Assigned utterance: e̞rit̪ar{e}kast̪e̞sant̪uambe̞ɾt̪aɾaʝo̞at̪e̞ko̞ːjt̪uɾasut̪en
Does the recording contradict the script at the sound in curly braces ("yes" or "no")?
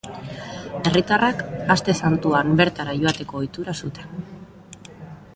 yes